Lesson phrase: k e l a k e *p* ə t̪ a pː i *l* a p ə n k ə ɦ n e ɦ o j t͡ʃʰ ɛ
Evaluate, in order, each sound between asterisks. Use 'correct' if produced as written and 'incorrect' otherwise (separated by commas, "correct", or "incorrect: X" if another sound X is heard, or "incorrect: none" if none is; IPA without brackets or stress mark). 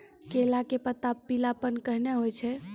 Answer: correct, correct